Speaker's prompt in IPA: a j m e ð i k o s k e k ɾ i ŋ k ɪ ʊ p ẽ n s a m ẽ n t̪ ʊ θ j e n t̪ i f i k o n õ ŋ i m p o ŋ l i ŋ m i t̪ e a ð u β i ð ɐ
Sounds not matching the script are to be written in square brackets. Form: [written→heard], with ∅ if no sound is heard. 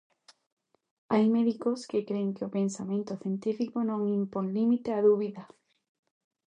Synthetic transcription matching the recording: a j m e ð i k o s k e k ɾ [i→e] ŋ k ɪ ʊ p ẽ n s a m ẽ n t̪ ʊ θ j e n t̪ i f i k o n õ ŋ i m p o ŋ l i [ŋ→∅] m i t̪ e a ð u β i ð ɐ